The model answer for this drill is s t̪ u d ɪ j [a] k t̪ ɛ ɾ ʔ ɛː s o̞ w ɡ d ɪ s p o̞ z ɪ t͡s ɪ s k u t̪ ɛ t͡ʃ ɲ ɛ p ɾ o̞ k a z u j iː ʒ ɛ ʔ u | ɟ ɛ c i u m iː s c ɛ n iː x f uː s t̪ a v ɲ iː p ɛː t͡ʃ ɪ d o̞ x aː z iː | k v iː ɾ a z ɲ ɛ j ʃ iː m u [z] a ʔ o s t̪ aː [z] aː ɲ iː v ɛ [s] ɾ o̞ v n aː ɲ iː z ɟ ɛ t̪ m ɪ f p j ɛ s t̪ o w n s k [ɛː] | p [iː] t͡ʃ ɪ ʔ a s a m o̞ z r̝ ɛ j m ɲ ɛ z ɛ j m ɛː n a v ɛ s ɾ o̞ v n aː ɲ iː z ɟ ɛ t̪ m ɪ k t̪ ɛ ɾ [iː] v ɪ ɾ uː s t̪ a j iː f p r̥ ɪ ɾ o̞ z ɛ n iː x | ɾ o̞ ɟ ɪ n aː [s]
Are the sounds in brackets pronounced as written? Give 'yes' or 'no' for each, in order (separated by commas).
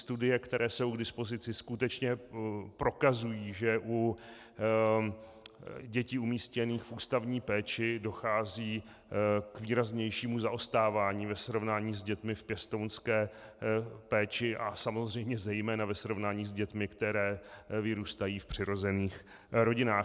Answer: no, yes, no, yes, yes, no, no, no